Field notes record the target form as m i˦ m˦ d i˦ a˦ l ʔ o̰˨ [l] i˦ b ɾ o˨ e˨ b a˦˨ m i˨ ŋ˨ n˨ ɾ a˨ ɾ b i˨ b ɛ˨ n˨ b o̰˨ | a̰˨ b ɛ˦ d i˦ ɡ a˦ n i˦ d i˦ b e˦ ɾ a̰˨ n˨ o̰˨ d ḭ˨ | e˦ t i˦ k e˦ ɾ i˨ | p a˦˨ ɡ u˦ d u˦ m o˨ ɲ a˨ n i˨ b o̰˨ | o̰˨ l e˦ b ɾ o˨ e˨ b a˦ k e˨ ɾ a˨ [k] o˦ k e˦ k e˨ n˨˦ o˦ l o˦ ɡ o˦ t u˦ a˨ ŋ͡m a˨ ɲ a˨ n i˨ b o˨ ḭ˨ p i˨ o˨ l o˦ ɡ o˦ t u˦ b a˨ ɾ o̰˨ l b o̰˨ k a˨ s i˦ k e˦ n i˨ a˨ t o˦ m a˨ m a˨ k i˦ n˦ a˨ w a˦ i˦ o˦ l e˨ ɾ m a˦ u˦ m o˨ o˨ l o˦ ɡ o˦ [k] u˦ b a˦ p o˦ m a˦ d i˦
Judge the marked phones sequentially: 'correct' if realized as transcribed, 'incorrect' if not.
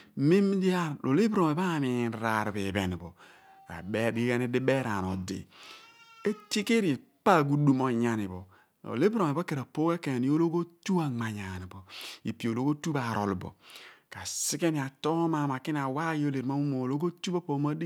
correct, incorrect: p, incorrect: t

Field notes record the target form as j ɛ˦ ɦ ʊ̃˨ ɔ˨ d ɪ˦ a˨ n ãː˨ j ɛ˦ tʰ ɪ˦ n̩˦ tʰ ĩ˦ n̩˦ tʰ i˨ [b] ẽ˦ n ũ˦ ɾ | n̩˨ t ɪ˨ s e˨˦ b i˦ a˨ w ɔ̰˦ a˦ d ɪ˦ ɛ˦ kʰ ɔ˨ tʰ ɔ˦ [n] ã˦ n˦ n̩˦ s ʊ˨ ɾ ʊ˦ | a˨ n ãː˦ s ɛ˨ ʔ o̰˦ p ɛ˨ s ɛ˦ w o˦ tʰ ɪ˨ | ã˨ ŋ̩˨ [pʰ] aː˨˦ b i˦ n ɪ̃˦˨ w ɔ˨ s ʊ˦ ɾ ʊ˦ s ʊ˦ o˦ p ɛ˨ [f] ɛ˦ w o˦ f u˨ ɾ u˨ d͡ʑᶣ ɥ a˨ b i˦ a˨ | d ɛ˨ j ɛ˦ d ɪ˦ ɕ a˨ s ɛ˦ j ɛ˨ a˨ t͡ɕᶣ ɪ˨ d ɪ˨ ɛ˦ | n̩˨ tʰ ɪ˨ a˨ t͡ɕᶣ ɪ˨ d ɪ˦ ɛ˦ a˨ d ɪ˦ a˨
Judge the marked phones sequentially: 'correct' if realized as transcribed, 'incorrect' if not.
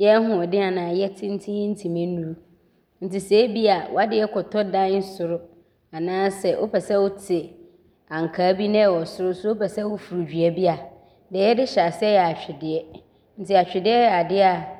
incorrect: m, incorrect: d, incorrect: kʰ, incorrect: s

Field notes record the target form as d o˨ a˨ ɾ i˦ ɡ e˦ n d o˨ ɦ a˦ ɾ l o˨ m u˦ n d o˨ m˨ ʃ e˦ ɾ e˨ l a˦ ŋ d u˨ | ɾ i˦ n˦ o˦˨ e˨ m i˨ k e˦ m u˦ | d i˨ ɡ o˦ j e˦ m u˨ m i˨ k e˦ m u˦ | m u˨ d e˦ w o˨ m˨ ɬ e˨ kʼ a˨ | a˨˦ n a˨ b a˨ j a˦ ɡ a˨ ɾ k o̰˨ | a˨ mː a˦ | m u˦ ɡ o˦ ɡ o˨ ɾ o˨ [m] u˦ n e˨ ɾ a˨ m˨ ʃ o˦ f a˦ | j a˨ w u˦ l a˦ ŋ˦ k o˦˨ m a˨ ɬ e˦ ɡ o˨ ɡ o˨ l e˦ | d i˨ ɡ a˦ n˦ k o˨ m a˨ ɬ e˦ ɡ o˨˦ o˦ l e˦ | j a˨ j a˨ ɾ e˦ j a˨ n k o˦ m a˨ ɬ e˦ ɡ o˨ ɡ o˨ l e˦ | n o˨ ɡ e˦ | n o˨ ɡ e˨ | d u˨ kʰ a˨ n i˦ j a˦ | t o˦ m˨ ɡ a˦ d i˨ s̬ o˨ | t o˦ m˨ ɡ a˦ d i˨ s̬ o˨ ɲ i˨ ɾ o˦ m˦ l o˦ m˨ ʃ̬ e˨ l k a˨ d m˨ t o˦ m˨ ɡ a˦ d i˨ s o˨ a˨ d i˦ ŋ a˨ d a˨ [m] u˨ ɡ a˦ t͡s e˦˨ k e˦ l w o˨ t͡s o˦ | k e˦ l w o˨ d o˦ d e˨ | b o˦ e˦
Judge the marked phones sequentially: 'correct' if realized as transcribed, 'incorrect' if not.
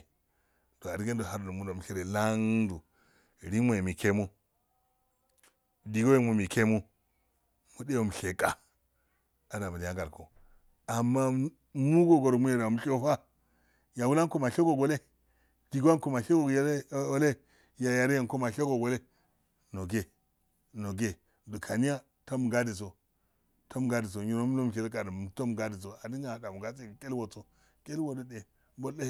correct, correct

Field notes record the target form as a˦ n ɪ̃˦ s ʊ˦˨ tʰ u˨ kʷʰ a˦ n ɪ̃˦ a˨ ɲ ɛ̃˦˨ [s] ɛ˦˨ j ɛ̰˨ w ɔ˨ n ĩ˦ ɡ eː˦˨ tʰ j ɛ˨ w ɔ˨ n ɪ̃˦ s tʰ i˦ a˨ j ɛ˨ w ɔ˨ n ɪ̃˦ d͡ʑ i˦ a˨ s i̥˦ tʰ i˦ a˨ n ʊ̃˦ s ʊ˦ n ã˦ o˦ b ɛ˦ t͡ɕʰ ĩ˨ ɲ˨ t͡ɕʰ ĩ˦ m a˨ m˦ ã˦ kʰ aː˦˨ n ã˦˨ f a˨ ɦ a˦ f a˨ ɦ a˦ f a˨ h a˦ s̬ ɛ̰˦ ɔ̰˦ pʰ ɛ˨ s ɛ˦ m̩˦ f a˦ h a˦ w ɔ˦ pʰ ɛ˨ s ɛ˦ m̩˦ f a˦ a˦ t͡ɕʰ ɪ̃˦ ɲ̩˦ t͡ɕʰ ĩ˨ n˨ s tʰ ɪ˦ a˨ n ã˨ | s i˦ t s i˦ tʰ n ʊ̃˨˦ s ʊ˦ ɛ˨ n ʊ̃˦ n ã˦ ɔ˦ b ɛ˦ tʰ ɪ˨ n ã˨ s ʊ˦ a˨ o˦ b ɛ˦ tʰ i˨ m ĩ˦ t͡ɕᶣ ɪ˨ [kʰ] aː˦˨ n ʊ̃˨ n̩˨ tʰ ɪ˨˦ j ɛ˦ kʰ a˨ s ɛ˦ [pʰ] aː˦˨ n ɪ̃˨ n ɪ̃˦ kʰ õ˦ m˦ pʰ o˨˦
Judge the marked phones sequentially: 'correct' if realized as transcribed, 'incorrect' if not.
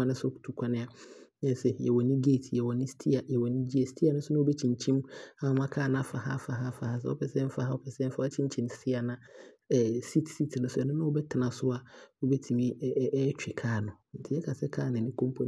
correct, correct, incorrect: kʰ

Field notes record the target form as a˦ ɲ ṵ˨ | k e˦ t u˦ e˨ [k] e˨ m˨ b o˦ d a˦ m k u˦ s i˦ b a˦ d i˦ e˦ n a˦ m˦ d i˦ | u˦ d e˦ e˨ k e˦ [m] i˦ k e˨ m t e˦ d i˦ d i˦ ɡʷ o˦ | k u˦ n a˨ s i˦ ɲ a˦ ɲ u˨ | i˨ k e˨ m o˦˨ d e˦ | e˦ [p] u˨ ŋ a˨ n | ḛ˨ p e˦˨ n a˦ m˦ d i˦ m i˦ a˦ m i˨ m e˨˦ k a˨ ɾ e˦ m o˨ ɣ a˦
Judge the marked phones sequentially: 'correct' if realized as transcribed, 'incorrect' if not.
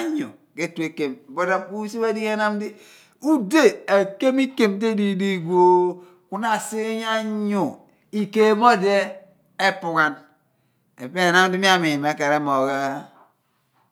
correct, correct, correct

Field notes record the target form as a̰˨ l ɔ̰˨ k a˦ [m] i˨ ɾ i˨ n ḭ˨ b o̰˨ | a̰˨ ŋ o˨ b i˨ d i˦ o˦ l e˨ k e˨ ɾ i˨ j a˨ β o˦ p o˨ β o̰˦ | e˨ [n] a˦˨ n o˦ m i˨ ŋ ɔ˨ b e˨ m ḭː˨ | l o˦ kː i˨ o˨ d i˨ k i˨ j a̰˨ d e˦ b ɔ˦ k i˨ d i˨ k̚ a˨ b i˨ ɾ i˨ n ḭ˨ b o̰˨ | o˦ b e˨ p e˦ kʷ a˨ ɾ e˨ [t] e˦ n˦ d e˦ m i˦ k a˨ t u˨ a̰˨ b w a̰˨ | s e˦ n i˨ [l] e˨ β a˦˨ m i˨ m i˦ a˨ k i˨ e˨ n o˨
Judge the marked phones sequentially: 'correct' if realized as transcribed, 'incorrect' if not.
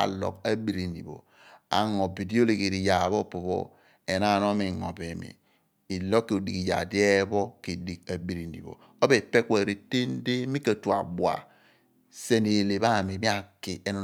incorrect: b, correct, correct, correct

